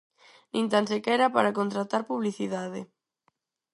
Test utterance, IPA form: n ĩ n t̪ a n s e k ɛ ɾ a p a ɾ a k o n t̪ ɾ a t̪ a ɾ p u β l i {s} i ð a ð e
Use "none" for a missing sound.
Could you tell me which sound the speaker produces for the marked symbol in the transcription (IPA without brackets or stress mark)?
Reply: θ